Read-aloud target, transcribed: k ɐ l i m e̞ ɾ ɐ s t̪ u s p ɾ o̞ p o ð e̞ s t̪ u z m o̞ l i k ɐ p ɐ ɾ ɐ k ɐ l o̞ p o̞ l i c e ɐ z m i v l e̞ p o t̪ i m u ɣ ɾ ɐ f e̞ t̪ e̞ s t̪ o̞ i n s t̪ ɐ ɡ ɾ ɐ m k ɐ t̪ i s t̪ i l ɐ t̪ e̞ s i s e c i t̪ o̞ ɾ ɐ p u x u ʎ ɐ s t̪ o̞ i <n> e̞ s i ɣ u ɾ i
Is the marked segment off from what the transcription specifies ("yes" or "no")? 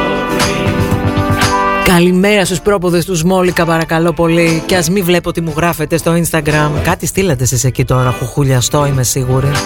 yes